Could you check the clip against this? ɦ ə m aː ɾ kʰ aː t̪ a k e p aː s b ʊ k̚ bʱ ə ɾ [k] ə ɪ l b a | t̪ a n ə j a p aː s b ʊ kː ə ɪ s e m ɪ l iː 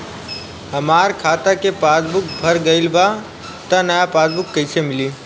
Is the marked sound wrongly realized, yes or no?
yes